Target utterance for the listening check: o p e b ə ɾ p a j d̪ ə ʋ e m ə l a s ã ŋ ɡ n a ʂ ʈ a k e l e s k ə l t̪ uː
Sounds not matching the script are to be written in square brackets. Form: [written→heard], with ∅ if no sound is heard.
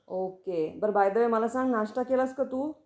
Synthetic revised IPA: o [p→k] e b ə ɾ [p→b] a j d̪ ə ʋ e m ə l a s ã ŋ ɡ n a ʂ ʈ a k e l [e→a] s k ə [l→∅] t̪ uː